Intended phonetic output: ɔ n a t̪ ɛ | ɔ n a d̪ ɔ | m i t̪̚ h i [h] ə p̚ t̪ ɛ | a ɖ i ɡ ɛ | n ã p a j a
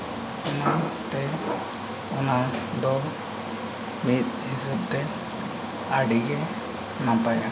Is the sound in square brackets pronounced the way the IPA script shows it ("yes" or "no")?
no